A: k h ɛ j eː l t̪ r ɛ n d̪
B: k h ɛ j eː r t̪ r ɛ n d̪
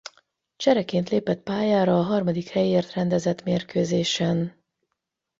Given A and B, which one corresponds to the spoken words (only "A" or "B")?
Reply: B